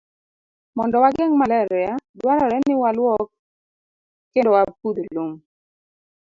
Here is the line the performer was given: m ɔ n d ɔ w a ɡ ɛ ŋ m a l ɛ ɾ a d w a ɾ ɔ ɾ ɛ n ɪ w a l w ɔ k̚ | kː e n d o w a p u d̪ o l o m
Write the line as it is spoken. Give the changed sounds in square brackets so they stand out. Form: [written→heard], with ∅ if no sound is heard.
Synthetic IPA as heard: m ɔ n d ɔ w a ɡ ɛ ŋ m a l ɛ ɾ a d w a ɾ ɔ ɾ ɛ n ɪ w a l w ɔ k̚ | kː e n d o w a p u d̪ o l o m